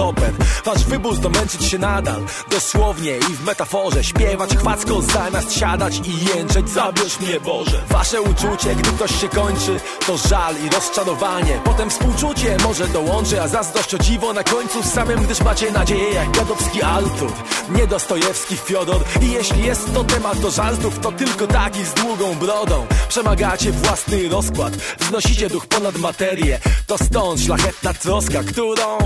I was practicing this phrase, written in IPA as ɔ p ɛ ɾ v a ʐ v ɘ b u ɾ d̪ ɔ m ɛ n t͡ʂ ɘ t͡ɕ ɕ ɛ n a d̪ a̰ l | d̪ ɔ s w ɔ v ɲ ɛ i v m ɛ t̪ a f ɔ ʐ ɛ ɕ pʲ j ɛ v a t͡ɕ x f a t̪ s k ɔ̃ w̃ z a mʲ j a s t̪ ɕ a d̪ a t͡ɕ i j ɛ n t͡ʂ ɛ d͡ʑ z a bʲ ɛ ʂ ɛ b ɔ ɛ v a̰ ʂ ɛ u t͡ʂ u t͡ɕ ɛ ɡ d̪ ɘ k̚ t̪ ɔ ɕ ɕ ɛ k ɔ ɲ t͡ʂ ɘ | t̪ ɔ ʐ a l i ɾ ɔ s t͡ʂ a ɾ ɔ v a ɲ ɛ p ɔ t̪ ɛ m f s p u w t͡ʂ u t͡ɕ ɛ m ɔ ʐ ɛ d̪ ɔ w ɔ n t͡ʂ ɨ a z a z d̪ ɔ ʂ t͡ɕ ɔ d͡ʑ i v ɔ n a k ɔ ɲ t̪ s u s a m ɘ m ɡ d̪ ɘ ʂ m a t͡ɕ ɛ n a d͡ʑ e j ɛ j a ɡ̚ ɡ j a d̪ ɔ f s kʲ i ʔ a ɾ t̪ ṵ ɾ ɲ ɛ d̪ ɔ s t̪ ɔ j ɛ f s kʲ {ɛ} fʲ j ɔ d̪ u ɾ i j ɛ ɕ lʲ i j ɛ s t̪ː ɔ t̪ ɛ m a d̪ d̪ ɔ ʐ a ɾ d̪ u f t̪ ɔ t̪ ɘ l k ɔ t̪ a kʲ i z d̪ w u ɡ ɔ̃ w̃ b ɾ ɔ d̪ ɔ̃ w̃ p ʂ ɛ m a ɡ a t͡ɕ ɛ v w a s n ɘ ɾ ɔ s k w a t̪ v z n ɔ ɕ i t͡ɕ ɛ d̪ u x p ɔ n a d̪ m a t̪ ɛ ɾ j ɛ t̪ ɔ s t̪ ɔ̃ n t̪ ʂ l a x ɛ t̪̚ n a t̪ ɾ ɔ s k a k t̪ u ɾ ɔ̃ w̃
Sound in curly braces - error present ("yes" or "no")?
yes